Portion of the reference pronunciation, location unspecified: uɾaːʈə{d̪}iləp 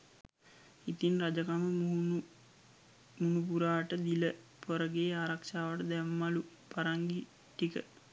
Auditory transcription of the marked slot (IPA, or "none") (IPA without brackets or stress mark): d̪